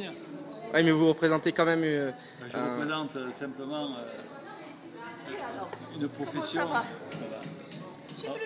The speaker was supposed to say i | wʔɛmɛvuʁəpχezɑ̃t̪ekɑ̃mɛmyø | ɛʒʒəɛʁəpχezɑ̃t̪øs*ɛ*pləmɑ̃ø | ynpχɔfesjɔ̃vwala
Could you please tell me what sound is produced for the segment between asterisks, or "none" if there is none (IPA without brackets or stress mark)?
ɛ̃